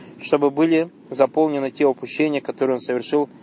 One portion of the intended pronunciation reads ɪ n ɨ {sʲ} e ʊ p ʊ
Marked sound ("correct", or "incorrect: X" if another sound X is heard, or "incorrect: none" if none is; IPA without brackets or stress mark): incorrect: tʲ